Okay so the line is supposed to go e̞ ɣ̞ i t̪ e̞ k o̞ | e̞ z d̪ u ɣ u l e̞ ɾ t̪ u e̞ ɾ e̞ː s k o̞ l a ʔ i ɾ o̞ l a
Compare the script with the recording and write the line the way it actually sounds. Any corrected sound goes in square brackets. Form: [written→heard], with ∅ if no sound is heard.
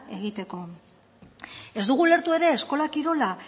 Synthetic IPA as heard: e̞ ɣ̞ i t̪ e̞ k o̞ | e̞ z d̪ u ɣ u l e̞ ɾ t̪ u e̞ ɾ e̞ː s k o̞ l a [ʔ→k] i ɾ o̞ l a